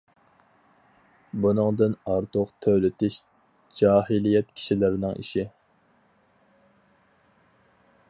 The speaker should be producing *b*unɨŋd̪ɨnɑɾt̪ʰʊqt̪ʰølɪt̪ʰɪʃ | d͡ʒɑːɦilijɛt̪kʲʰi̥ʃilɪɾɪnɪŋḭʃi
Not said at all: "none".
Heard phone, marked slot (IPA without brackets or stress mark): b